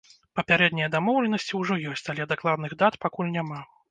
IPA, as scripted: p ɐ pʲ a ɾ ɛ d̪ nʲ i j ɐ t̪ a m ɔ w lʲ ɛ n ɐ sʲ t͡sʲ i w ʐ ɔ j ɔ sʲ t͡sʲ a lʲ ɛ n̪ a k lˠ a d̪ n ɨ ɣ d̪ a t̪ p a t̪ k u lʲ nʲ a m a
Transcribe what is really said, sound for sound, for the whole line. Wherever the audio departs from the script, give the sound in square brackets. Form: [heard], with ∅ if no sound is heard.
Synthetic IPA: p ɐ pʲ a ɾ ɛ d̪ nʲ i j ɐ [d̪] a m ɔ w lʲ ɛ n ɐ sʲ t͡sʲ i w ʐ ɔ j ɔ sʲ t͡sʲ a lʲ ɛ [d̪] a k lˠ a d̪ n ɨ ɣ d̪ a t̪ p a [∅] k u lʲ nʲ a m a